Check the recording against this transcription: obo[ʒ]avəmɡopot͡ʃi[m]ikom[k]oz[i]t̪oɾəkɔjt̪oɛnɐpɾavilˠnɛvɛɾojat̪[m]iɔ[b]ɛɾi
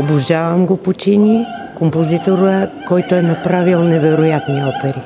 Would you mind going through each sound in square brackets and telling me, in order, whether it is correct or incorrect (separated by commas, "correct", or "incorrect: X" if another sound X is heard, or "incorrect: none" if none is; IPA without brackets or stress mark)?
correct, incorrect: n, incorrect: p, correct, incorrect: n, incorrect: p